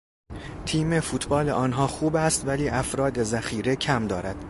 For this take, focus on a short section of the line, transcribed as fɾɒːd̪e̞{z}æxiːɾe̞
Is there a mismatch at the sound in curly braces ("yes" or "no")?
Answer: no